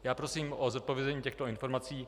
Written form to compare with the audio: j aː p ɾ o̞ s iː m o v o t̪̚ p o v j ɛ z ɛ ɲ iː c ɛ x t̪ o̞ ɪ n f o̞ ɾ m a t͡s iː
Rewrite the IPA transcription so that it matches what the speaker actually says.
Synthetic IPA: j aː p ɾ o̞ s iː m o z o t̪̚ p o v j ɛ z ɛ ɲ iː c ɛ x t̪ o̞ ɪ n f o̞ ɾ m a t͡s iː